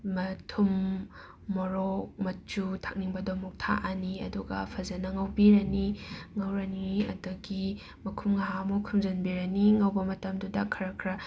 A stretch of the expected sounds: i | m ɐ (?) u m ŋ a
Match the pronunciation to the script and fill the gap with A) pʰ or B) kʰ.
B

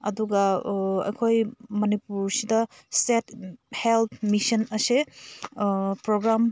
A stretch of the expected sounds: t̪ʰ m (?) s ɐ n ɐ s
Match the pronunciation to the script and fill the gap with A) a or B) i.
B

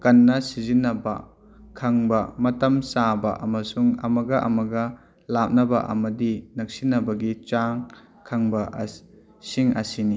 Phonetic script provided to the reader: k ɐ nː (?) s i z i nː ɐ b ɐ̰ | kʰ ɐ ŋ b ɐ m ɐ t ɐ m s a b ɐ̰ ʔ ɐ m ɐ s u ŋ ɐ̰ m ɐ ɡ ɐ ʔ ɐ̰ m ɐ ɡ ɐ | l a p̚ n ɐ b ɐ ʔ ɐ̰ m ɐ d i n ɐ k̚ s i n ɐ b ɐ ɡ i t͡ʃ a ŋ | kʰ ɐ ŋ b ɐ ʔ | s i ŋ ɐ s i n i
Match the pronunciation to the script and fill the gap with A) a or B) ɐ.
B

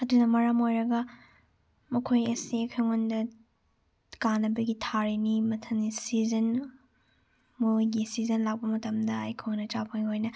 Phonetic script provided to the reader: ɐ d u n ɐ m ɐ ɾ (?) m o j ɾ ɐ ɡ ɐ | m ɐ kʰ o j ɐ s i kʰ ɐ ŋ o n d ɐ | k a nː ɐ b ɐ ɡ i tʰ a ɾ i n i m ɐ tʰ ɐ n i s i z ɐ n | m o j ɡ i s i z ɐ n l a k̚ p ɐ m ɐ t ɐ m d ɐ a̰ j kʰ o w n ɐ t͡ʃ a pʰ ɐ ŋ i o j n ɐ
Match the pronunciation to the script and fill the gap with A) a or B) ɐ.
A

